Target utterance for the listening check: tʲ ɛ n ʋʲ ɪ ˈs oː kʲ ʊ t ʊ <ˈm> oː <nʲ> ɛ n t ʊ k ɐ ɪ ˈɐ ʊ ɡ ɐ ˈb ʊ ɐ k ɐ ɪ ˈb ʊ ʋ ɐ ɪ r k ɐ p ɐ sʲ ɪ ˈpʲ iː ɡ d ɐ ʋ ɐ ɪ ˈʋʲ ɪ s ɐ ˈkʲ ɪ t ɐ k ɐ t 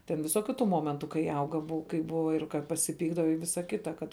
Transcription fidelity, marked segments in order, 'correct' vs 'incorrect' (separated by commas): correct, incorrect